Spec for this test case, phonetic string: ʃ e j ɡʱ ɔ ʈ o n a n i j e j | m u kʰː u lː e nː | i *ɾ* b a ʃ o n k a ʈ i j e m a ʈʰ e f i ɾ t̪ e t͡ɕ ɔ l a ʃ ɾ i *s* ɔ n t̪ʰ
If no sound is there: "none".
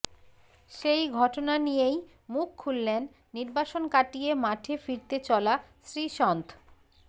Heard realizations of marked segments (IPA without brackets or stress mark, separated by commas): ɾ, ʃ